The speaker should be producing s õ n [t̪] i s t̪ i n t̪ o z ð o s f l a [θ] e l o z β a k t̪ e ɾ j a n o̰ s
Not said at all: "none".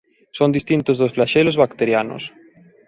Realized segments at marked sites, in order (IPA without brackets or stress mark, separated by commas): d̪, ʃ